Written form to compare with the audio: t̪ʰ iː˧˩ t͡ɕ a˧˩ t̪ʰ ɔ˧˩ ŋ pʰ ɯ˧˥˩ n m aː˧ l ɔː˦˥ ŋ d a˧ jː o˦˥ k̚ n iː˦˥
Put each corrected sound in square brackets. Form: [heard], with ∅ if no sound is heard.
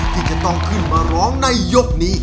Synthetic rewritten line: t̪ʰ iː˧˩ t͡ɕ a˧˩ [t̪] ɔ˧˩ ŋ [kʰ] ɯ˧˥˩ n m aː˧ [ɾ] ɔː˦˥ ŋ [n] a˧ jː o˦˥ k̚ n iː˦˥